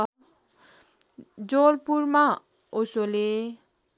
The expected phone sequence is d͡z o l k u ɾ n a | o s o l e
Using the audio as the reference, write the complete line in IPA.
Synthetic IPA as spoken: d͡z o l p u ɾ m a | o s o l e

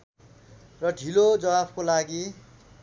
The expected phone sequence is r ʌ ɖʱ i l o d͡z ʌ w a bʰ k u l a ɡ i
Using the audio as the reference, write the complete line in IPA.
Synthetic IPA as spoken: r ʌ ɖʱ i l o d͡z ʌ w a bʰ k o l a ɡ i

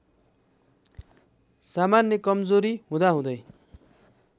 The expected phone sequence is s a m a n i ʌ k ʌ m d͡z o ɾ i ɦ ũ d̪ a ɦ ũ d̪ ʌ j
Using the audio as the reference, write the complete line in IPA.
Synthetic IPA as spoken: s a m a n j ʌ k ʌ m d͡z o ɾ i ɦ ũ d̪ a ɦ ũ d̪ ʌ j

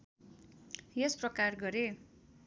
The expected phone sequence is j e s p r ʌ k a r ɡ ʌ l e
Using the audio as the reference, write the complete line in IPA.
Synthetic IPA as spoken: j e s p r ʌ k a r ɡ ʌ ɾ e

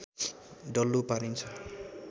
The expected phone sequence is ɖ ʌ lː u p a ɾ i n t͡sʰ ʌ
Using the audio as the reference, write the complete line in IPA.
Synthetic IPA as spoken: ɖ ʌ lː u p a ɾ i n t͡sʰ ʌ

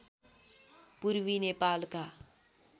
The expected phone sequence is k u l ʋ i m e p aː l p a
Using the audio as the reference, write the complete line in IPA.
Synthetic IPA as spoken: p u ɾ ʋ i n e p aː l k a

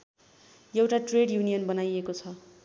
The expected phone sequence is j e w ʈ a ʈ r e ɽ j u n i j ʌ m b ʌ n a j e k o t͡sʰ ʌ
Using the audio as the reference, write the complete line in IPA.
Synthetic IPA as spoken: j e w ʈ a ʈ r e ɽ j u n i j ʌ n b ʌ n a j e k o t͡sʰ ʌ

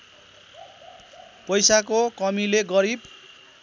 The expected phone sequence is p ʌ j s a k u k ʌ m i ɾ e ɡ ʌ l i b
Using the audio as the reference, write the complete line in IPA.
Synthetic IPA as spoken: p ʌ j s a k o k ʌ m i l e ɡ ʌ ɾ i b

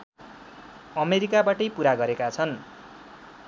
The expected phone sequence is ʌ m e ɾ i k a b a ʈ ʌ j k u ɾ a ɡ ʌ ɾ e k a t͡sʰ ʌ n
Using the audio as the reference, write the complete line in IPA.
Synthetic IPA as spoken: ʌ m e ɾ i k a b a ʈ ʌ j p u ɾ a ɡ ʌ ɾ e k a t͡sʰ ʌ n

